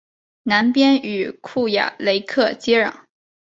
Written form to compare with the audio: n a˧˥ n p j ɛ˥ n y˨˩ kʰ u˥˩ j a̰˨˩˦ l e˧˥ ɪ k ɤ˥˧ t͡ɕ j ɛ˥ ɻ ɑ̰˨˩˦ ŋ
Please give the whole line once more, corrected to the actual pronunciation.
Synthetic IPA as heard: n a˧˥ n p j ɛ˥ n y˨˩ kʰ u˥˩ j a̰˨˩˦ l e˧˥ ɪ kʰ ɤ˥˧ t͡ɕ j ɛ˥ ɻ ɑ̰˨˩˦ ŋ